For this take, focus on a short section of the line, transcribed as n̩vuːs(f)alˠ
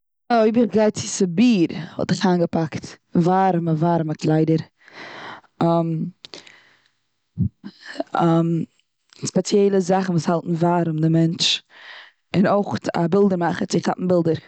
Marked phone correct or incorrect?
incorrect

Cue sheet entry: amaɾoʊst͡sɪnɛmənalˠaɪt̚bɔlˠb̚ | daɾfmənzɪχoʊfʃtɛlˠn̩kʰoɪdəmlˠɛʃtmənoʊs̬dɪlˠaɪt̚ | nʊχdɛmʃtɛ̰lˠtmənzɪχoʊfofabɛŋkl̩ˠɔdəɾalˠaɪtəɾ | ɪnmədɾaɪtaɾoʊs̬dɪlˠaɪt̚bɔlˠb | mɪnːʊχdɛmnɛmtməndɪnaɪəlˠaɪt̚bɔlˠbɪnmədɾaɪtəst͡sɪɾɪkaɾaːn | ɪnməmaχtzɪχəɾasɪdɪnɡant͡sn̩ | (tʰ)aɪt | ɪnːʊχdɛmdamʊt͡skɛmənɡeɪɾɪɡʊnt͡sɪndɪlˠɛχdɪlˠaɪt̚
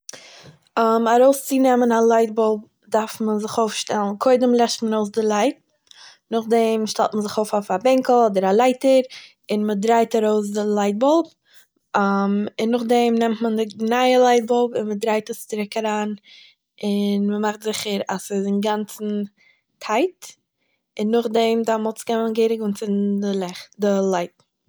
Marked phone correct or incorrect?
correct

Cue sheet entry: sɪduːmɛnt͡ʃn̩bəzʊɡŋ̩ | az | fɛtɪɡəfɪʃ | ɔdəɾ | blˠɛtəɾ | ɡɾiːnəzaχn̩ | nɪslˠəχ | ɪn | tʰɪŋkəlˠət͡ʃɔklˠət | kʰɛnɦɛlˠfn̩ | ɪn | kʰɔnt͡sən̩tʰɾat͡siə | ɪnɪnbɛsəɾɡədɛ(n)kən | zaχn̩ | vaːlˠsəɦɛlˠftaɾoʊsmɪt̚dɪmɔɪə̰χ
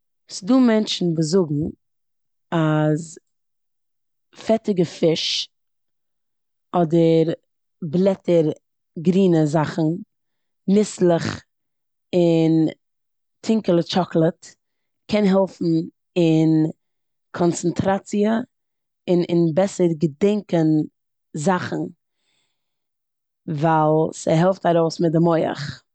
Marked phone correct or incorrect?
incorrect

